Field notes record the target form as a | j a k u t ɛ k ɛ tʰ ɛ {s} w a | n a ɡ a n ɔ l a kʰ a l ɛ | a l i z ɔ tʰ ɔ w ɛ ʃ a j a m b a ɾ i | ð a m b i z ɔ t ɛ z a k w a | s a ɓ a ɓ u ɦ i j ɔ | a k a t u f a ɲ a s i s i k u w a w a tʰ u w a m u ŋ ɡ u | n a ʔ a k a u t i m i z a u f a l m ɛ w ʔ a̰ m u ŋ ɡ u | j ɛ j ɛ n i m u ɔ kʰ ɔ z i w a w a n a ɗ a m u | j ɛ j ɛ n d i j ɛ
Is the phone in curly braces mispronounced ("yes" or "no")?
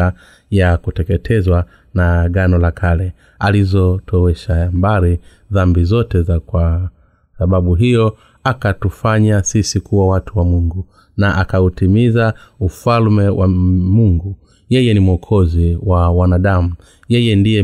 yes